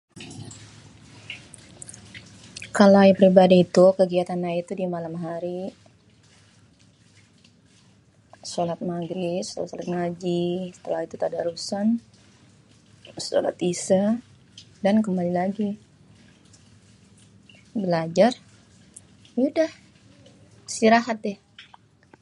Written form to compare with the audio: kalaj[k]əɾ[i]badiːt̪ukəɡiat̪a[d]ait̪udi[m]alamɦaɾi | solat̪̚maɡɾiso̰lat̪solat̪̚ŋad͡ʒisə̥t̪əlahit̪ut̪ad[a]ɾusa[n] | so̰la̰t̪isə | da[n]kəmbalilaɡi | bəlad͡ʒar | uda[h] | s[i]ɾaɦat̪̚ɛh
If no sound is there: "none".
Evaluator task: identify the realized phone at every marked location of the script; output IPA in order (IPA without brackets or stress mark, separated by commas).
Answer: p, i, n, m, a, n, n, h, i